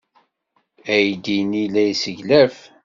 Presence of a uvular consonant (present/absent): absent